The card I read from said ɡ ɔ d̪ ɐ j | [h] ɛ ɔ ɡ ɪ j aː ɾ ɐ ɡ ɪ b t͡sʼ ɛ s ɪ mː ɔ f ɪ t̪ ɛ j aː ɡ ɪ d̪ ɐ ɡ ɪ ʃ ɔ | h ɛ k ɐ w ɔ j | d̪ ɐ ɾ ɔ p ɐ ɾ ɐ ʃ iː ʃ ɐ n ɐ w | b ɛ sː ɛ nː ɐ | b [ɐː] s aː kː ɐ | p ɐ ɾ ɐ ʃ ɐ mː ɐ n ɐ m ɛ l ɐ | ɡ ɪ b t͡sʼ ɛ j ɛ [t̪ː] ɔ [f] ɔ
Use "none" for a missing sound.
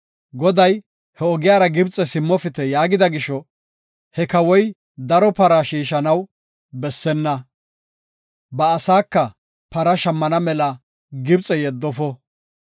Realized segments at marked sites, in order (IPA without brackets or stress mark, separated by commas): h, ɐː, d̪ː, f